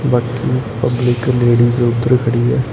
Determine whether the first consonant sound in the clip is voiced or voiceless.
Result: voiced